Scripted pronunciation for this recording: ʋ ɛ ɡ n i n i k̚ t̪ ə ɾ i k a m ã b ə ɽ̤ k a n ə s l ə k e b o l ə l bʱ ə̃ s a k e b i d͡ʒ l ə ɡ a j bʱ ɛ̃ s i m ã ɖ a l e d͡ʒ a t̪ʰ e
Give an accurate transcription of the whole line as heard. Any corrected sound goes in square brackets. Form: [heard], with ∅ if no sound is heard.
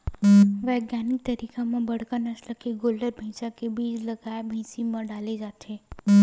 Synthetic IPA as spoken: ʋ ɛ ɡ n [a] n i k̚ t̪ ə ɾ i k a m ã b ə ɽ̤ k a n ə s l ə k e [ɡ] o l ə [ɾ] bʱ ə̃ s a k e b i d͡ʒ l ə ɡ a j bʱ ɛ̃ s i m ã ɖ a l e d͡ʒ a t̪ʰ e